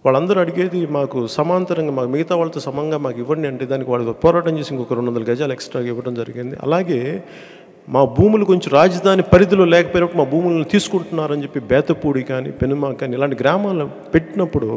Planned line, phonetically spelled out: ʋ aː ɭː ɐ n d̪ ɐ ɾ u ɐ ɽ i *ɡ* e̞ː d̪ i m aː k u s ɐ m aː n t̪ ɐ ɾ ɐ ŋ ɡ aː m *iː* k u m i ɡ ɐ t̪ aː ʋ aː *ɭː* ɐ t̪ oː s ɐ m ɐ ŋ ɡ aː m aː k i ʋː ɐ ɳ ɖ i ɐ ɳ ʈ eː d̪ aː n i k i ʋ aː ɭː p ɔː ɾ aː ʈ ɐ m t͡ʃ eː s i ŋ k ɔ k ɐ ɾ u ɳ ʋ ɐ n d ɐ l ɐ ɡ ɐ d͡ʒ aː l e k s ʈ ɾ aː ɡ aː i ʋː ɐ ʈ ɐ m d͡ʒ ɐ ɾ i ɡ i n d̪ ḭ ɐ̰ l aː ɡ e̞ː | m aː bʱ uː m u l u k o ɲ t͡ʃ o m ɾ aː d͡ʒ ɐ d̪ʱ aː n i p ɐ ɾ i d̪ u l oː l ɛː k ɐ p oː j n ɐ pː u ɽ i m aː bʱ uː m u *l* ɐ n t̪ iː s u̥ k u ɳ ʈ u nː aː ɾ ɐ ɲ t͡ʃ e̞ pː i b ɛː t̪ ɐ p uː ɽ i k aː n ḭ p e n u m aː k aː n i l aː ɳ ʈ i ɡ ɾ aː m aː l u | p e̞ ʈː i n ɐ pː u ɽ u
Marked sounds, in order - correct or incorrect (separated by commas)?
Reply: correct, incorrect, incorrect, correct